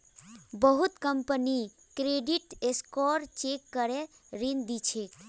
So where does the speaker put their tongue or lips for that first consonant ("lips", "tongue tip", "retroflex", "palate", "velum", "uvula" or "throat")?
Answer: lips